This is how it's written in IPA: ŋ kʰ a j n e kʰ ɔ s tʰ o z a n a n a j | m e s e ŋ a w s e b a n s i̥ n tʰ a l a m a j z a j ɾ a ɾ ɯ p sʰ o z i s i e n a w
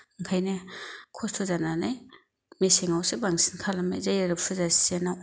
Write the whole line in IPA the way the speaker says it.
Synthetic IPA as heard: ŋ kʰ a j n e kʰ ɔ s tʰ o z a n a n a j | m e s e ŋ a w s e b a ŋ s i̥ n kʰ a l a m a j z a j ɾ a ɾ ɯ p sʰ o z a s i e n a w